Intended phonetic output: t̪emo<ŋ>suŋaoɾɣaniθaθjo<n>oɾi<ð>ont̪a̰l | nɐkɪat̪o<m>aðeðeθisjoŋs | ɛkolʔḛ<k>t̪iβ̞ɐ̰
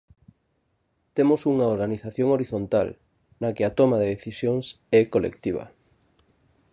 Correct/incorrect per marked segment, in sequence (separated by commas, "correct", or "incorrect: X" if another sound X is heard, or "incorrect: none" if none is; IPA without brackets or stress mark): incorrect: none, incorrect: ŋ, incorrect: θ, correct, correct